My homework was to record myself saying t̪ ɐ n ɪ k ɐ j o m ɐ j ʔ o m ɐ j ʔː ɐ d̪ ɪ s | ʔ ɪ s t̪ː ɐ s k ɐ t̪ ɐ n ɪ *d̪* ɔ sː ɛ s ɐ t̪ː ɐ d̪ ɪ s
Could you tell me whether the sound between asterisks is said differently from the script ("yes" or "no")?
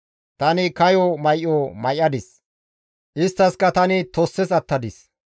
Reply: yes